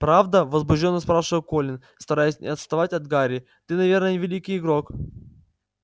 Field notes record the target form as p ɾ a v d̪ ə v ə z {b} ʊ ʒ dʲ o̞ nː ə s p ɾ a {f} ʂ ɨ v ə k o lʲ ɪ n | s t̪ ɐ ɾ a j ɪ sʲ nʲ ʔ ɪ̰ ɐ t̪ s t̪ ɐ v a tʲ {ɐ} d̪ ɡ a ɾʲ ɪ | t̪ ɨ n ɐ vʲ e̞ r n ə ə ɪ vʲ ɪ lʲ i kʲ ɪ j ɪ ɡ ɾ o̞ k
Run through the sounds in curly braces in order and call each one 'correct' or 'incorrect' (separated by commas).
correct, correct, correct